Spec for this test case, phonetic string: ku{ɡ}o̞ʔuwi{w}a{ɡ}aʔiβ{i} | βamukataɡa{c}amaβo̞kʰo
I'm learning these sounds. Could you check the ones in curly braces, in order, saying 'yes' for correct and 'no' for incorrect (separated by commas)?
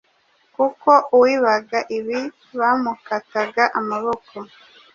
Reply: no, no, yes, yes, no